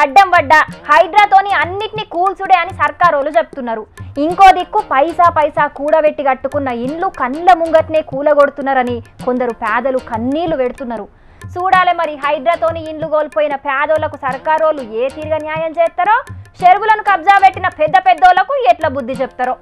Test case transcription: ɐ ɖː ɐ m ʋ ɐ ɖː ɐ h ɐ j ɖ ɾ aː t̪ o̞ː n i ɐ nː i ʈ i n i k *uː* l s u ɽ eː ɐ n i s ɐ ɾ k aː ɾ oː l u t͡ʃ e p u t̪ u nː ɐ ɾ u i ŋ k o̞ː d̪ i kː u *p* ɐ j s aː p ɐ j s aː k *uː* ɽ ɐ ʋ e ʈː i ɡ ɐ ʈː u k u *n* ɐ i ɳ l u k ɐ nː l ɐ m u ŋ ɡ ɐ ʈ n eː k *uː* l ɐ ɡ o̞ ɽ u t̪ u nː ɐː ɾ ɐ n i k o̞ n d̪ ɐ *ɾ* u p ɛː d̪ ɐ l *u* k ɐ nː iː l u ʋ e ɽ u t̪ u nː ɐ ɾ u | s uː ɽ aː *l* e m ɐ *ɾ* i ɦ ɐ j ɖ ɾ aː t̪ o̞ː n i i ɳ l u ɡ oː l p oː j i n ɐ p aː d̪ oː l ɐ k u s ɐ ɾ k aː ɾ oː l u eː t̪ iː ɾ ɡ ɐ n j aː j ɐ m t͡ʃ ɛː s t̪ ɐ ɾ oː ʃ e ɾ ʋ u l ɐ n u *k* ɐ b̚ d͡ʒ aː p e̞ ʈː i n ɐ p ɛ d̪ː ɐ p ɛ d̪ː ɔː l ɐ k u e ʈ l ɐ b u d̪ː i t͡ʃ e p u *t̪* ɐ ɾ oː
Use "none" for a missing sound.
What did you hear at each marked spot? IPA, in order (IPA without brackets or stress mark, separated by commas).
uː, p, uː, nː, uː, ɾ, u, l, ɾ, k, t̪